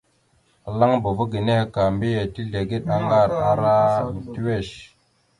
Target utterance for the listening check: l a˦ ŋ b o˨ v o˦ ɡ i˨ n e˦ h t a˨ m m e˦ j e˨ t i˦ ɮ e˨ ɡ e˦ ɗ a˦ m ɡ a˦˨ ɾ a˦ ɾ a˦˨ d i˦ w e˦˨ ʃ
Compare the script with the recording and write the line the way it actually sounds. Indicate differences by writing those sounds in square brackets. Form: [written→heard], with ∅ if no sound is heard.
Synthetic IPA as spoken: l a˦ ŋ b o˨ v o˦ ɡ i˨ n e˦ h [t→k] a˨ m [m→b] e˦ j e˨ t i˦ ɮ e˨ ɡ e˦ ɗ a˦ [m→ŋ] ɡ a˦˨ ɾ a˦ ɾ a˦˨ [d→t] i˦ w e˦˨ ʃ